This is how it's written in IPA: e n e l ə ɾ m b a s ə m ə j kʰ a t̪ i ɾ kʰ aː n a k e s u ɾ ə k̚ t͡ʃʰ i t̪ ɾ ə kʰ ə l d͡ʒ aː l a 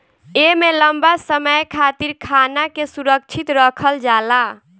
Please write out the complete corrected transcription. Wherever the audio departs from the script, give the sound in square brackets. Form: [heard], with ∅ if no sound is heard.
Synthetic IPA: e [m] e l ə [∅] m b a s ə m ə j kʰ a t̪ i ɾ kʰ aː n a k e s u ɾ ə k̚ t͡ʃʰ i t̪ ɾ ə kʰ ə l d͡ʒ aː l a